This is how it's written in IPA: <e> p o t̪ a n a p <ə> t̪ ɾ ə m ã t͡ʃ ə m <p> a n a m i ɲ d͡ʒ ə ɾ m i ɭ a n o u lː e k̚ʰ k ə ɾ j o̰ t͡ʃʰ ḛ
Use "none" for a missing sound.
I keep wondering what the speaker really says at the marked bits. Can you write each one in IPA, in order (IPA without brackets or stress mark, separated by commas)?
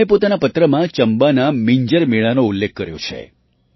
e, ə, b